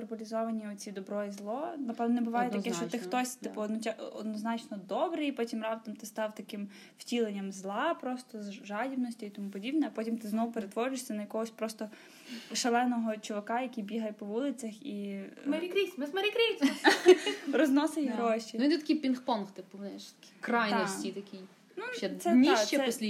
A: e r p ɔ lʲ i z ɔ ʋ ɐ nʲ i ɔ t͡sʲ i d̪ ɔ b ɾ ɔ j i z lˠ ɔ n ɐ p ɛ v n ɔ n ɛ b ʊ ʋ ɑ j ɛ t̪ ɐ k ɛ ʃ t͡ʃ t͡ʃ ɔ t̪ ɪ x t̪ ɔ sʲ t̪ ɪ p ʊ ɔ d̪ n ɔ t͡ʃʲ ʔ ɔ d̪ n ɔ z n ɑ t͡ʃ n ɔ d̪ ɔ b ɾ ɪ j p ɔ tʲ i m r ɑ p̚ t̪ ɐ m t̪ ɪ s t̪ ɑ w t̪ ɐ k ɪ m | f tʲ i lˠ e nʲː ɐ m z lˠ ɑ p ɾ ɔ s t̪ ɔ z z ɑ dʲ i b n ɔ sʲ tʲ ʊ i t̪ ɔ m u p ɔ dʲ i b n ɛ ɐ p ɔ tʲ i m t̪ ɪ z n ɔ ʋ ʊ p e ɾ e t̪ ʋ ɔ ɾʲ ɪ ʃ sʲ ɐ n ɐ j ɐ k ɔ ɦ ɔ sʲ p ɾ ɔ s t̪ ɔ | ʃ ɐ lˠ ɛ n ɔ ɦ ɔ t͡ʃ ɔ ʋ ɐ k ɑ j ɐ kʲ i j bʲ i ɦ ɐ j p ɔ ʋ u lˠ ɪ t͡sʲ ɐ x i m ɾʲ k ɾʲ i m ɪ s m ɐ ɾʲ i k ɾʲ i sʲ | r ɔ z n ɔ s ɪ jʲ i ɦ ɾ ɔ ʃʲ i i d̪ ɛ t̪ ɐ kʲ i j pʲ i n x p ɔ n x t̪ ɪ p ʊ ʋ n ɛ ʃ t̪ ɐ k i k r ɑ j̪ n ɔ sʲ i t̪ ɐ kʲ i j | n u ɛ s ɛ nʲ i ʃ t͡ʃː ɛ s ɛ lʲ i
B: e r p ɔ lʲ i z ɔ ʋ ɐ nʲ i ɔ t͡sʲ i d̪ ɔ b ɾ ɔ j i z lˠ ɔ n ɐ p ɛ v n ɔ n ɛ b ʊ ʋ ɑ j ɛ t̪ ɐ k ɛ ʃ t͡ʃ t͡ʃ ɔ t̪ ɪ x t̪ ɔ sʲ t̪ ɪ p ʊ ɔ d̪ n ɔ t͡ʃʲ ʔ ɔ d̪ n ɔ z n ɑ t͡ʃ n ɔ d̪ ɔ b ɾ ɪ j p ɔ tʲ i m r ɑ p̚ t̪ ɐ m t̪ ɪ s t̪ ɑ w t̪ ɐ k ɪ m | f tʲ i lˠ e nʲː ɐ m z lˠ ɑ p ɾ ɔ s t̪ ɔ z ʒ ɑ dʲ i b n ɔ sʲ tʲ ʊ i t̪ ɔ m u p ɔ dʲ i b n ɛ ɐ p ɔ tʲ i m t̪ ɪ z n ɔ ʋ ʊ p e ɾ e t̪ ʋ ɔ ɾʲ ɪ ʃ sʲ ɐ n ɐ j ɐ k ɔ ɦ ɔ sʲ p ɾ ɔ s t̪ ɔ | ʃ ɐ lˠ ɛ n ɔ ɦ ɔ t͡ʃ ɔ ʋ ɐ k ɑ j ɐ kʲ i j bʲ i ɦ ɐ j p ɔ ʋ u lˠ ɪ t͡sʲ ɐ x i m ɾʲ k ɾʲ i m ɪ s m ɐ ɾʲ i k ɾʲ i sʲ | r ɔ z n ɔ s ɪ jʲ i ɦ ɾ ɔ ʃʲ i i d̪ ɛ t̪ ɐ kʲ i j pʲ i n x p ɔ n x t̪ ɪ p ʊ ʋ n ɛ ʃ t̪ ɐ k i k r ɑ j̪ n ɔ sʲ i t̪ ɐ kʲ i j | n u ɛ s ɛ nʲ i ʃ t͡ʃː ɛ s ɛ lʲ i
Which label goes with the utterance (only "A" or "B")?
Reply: B